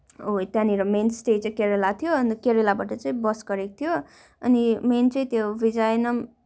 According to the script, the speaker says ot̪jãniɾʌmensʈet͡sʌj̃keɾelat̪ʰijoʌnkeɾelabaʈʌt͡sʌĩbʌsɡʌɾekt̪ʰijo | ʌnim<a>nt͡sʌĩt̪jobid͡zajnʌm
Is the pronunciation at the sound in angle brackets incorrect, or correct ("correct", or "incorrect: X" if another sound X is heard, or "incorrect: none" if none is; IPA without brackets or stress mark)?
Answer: incorrect: e